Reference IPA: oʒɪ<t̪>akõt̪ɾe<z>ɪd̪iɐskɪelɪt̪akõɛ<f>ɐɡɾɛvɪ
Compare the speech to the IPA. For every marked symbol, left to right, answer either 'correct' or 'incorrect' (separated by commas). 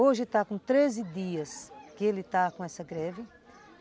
correct, correct, incorrect